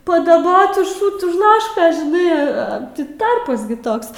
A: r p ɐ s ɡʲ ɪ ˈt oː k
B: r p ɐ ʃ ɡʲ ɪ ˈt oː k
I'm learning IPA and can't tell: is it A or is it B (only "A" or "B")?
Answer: A